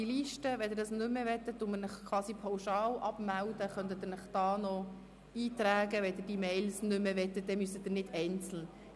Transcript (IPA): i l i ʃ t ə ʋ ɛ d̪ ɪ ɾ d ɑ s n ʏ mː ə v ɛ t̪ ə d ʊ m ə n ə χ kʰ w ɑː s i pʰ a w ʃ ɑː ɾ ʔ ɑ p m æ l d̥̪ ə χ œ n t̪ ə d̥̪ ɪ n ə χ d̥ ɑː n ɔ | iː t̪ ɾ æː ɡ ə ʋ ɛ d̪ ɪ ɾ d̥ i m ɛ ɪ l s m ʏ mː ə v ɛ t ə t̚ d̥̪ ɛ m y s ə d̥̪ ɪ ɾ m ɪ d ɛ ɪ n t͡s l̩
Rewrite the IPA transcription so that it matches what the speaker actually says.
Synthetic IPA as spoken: i l i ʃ t ə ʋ ɛ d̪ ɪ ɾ d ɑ s n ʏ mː ə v ɛ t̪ ə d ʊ m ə n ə χ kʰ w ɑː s i pʰ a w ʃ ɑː l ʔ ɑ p m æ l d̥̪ ə χ œ n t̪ ə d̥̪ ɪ n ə χ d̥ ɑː n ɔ | iː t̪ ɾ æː ɡ ə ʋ ɛ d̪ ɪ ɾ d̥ i m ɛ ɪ l s n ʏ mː ə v ɛ t ə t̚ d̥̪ ɛ m y s ə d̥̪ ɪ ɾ n ɪ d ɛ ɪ n t͡s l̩

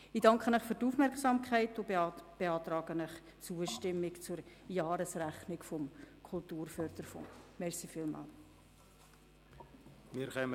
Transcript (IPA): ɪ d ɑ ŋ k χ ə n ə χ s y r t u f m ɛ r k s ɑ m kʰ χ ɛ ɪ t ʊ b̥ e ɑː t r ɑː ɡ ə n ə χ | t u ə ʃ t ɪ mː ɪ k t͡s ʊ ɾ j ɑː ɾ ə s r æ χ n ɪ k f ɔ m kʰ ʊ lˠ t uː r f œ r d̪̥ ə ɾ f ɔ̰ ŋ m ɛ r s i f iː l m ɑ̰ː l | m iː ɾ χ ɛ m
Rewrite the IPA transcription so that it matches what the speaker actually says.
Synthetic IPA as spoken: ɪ d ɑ ŋ k χ ə n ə χ f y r t u f m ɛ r k s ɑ m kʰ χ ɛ ɪ t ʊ b̥ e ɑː t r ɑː ɡ ə n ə χ | t͡s u ə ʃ t ɪ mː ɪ k t͡s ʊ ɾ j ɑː ɾ ə s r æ χ n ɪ k f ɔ m kʰ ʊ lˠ t uː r f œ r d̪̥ ə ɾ f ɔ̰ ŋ m ɛ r s i f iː l m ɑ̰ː l | m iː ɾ χ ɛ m

